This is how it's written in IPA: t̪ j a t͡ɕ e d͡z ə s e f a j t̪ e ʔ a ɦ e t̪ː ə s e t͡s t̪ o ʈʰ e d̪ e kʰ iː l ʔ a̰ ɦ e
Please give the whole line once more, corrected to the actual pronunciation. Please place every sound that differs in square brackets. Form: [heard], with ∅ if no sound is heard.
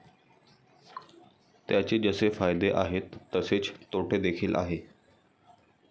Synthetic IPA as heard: t̪ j a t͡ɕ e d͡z ə s e f a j [d̪] e ʔ a ɦ e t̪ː ə s e t͡s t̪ o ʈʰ e d̪ e kʰ iː l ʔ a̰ ɦ e